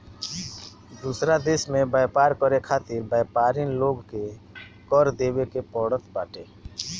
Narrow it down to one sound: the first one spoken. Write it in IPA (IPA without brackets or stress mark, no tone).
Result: d̪